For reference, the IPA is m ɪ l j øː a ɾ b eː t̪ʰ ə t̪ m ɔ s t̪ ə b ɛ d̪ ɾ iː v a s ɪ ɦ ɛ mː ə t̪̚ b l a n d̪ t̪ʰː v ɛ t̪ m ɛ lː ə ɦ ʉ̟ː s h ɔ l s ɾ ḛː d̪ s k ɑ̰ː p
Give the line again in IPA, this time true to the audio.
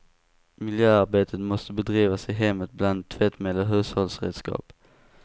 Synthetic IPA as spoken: m ɪ l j øː a ɾ b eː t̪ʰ ə t̪ m ɔ s t̪ ə b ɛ d̪ ɾ iː v a s ɪ ɦ ɛ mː ə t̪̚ b l a n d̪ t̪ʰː v ɛ t̪ m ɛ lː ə ɦ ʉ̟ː s h ɔ l s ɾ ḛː d̪ s k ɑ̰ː p